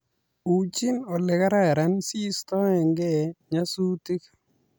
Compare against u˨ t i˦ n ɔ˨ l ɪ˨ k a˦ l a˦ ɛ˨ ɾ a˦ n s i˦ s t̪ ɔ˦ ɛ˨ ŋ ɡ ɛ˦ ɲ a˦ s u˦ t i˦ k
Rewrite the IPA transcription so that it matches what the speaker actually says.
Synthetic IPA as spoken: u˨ t͡ʃ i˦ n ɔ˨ l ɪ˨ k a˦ ɾ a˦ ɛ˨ ɾ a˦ n s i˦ s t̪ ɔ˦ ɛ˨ ŋ ɡ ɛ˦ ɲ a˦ s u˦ t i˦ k